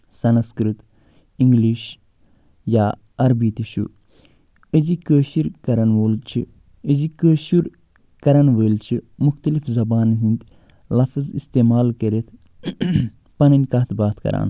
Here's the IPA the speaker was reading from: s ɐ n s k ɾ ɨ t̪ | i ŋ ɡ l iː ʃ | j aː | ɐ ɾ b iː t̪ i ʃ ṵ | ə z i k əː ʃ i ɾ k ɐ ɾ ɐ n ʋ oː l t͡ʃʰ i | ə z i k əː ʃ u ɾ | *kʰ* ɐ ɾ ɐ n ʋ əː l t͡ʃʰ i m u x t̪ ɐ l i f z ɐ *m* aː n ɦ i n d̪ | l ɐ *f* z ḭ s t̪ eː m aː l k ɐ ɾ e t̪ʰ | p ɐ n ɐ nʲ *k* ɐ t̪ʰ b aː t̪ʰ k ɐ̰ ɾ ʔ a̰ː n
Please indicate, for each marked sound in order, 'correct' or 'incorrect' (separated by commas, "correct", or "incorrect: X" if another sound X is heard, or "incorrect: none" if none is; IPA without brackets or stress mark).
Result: incorrect: k, incorrect: b, correct, correct